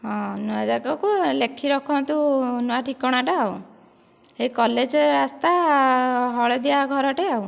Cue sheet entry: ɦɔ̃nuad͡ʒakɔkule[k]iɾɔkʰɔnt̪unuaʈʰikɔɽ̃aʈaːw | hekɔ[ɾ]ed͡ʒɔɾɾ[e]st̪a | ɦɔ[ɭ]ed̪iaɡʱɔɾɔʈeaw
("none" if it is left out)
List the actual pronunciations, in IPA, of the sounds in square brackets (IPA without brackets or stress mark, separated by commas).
kʰ, l, a, ɭ